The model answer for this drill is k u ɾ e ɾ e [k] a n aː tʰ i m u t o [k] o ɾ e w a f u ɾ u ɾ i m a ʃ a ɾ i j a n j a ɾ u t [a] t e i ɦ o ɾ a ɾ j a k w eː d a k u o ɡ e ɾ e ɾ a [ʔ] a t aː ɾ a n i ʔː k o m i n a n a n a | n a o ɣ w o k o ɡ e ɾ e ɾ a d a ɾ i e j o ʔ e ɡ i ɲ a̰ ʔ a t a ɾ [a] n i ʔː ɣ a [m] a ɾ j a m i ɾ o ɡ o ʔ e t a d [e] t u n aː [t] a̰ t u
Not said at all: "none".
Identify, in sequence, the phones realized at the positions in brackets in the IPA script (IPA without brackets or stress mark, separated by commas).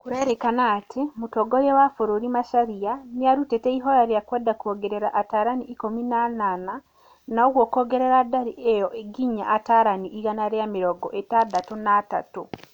k, ɡ, e, ʔ, a, n, a, t